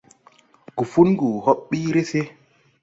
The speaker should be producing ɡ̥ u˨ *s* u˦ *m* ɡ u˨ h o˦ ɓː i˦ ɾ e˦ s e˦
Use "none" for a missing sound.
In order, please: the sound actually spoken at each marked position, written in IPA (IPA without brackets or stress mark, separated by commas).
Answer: f, n